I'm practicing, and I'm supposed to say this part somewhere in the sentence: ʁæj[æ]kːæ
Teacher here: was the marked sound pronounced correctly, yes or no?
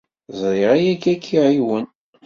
yes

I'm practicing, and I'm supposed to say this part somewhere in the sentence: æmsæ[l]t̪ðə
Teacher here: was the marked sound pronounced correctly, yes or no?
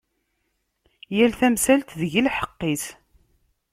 yes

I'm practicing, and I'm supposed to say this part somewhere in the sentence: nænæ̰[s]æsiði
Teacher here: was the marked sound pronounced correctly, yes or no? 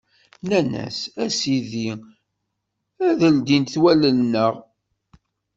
yes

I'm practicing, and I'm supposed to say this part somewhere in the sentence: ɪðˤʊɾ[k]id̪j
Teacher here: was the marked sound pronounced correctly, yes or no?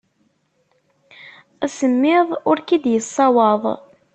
yes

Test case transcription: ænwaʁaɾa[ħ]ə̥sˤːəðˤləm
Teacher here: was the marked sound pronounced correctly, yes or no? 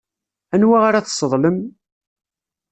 no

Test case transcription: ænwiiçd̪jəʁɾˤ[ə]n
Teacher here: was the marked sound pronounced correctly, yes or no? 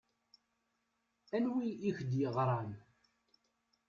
no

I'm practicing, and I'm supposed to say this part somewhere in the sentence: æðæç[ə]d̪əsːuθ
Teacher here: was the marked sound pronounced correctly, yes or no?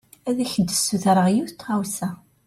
yes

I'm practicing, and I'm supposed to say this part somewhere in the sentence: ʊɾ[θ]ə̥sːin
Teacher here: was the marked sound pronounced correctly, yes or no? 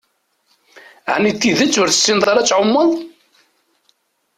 yes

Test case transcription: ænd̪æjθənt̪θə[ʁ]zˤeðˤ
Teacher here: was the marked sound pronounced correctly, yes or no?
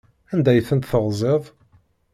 yes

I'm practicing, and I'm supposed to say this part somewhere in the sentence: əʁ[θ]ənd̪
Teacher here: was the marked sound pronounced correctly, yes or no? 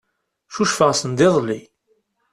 no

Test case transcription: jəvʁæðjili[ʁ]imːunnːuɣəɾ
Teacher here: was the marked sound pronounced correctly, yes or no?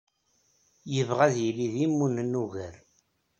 no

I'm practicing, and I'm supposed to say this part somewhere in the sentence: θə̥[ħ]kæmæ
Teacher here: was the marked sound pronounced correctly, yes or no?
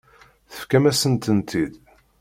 no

